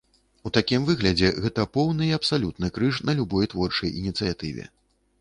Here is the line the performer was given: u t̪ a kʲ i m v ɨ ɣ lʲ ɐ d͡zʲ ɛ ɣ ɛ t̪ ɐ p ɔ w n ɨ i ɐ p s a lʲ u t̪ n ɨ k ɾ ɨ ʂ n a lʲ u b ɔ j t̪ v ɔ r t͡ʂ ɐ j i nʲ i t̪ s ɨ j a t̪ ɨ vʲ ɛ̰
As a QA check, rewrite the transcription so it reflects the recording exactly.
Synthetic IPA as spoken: u t̪ a kʲ i m v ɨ ɣ lʲ ɐ d͡zʲ ɛ ɣ ɛ t̪ ɐ p ɔ w n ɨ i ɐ p s a lʲ u t̪ n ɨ k ɾ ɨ ʂ n ɐ lʲ u b ɔ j t̪ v ɔ r t͡ʂ ɐ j i nʲ i t̪ s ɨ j a t̪ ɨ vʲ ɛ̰

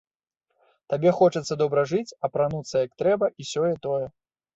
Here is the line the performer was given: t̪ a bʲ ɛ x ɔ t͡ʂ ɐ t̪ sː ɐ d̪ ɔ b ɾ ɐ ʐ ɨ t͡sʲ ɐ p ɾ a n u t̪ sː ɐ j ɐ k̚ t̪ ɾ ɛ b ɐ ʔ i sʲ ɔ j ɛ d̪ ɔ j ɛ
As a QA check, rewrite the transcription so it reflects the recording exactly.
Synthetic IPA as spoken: t̪ a bʲ ɛ x ɔ t͡ʂ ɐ t̪ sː ɐ d̪ ɔ b ɾ ɐ ʐ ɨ t͡sʲ ɐ p ɾ a n u t̪ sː ɐ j ɐ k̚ t̪ ɾ ɛ b ɐ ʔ i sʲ ɔ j ɛ t̪ ɔ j ɛ

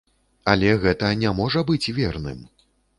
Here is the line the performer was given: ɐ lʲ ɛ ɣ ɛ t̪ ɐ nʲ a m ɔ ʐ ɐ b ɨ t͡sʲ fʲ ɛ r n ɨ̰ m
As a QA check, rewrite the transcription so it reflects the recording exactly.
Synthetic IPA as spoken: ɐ lʲ ɛ ɣ ɛ t̪ ɐ nʲ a m ɔ ʐ ɐ b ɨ t͡sʲ vʲ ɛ r n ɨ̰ m

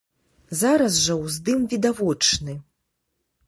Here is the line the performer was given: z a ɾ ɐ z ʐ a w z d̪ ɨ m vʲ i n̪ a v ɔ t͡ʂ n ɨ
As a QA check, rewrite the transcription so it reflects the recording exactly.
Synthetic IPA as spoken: z a ɾ ɐ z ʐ ɐ w z d̪ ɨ m vʲ i d̪ a v ɔ t͡ʂ n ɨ

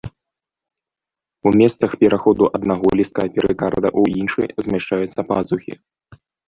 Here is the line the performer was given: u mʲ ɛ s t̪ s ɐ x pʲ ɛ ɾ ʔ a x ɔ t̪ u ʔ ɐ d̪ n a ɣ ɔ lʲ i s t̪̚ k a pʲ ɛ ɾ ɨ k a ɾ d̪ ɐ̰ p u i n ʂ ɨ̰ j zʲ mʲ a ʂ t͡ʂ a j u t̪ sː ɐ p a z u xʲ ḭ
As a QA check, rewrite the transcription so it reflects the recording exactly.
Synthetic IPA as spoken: u mʲ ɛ s t̪ s ɐ x pʲ ɛ ɾ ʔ a x ɔ d̪ u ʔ ɐ d̪ n a ɣ ɔ lʲ i s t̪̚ k a pʲ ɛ ɾ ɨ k a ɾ d̪ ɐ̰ ʔ u i n ʂ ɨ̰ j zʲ mʲ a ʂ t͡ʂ a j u t̪ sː ɐ p a z u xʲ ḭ

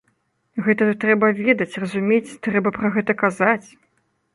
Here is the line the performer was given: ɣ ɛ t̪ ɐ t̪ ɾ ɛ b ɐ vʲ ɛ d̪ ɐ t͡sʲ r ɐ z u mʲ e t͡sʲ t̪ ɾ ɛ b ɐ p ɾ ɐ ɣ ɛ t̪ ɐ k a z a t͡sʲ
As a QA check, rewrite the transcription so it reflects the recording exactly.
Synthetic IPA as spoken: ɣ ɛ t̪ ɐ t̪ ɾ ɛ b ɐ vʲ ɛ d̪ ɐ t͡sʲ r ɐ z u mʲ e t͡sʲ t̪ ɾ ɛ b ɐ p ɾ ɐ ɣ ɛ t̪ ɐ k a z a t͡sʲ

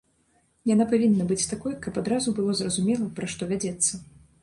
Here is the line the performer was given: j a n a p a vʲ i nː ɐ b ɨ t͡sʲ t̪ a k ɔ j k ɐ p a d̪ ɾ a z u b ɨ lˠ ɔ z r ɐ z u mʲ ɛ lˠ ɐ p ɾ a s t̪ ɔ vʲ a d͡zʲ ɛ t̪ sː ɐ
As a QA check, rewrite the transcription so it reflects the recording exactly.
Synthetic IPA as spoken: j a n a p a vʲ i nː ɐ b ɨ t͡sʲ t̪ a k ɔ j k ɐ p a d̪ ɾ a z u b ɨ lˠ ɔ z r ɐ z u mʲ ɛ lˠ ɐ p ɾ a ʂ t̪ ɔ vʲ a d͡zʲ ɛ t̪ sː ɐ

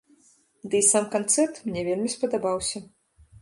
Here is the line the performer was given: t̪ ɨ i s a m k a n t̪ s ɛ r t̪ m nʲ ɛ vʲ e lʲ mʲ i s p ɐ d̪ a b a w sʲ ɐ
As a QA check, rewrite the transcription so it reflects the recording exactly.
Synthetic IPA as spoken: d̪ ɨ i s a m k a n t̪ s ɛ r t̪ m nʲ ɛ vʲ e lʲ mʲ i s p ɐ d̪ a b a w sʲ ɐ

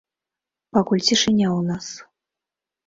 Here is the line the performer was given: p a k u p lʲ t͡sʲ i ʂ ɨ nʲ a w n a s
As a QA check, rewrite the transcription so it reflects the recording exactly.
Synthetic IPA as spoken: p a k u lʲ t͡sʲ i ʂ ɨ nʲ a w n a s

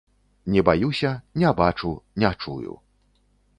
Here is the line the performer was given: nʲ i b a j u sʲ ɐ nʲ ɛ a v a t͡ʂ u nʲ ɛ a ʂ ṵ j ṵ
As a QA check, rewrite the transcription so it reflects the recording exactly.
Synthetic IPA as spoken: nʲ ɛ b a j u sʲ ɐ nʲ ɛ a b a t͡ʂ u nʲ ɛ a t͡ʂ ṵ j ṵ

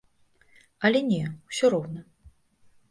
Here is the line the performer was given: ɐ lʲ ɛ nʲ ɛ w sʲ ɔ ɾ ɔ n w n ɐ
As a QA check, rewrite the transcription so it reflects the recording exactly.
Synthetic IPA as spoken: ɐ lʲ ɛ nʲ ɛ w sʲ ɔ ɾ ɔ w n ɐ

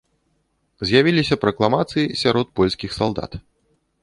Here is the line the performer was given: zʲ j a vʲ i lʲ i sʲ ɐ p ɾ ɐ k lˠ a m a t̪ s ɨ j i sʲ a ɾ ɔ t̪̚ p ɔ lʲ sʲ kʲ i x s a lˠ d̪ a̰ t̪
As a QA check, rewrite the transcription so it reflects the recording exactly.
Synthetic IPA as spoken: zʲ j a vʲ i lʲ i sʲ ɐ p ɾ ɐ k lˠ a m a t̪ s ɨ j i sʲ a ɾ ɔ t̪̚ p ɔ lʲ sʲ kʲ i x s a lˠ d̪ a̰ t̪

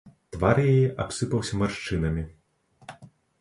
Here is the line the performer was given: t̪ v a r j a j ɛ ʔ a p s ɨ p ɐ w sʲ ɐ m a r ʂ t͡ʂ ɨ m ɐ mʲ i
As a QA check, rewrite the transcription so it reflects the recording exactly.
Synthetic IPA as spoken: t̪ v a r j a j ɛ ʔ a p s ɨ p ɐ w sʲ ɐ m a r ʂ t͡ʂ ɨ n ɐ mʲ i

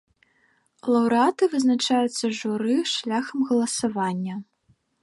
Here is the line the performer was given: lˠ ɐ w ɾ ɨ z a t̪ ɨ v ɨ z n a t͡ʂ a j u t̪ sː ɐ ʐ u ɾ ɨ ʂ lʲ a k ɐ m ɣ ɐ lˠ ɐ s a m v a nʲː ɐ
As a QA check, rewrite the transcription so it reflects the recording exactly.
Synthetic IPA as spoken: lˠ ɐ w ɾ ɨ a t̪ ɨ v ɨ z n a t͡ʂ a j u t̪ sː ɐ ʐ u ɾ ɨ ʂ lʲ a x ɐ m ɣ ɐ lˠ ɐ s a v a nʲː ɐ

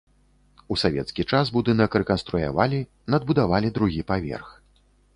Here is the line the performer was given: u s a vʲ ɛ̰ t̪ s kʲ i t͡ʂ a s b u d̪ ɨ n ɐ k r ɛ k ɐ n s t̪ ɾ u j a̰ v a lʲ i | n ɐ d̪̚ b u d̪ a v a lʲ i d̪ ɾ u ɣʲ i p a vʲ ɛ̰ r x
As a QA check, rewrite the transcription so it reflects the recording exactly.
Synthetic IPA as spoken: u s a vʲ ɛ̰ t̪ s kʲ i t͡ʂ a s b u d̪ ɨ n ɐ k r ɛ k ɐ n s t̪ ɾ u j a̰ v a lʲ i | n ɐ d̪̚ b u d̪ a v a lʲ i d̪ ɾ u ɣʲ i p a vʲ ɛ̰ r x

